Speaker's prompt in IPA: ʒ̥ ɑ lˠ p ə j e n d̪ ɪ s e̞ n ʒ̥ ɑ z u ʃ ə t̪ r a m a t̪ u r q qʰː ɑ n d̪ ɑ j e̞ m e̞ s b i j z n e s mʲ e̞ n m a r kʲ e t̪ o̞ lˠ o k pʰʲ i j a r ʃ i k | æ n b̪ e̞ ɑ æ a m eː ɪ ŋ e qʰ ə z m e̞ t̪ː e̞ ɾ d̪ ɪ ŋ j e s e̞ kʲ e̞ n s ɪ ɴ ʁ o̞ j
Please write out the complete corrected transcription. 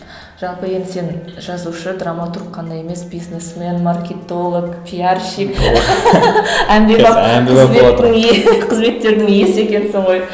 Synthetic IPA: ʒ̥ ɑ lˠ p ə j e n d̪ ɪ s e̞ n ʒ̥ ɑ z u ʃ ə d̪ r a m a t̪ u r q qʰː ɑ n d̪ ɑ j e̞ m e̞ s b i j z n e s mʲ e̞ n m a r kʲ e t̪ o̞ lˠ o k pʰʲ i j a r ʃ i k | æ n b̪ e̞ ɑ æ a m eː ɪ ŋ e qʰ ə z m e̞ t̪ː e̞ ɾ d̪ ɪ ŋ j e s e̞ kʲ e̞ n s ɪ ɴ ʁ o̞ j